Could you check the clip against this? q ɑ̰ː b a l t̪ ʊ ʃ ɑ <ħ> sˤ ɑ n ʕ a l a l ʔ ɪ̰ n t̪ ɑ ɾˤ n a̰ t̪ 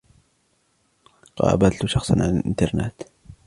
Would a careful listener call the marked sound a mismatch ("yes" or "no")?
yes